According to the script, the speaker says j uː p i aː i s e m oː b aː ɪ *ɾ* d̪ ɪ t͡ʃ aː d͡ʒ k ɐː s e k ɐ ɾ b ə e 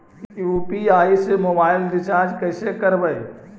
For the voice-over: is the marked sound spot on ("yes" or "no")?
no